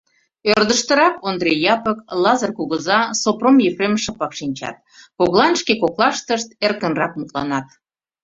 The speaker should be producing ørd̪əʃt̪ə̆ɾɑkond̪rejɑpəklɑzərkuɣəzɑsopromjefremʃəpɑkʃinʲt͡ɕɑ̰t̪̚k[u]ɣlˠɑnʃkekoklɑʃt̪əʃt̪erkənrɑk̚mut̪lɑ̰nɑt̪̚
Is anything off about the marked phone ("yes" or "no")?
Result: yes